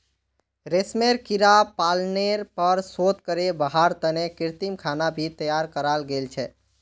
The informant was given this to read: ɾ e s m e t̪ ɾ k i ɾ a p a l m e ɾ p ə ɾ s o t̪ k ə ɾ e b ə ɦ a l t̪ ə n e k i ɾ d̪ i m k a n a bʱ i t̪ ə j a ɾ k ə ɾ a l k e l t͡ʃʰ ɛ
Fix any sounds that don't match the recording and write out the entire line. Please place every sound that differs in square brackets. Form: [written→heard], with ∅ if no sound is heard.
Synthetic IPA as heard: ɾ e s m e [t̪→∅] ɾ k i ɾ a p a l [m→n] e ɾ p ə ɾ s o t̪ k ə ɾ e b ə ɦ a [l→ɾ] t̪ ə n e k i ɾ [d̪→t̪] i m [k→kʰ] a n a bʱ i t̪ ə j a ɾ k ə ɾ a l [k→ɡ] e l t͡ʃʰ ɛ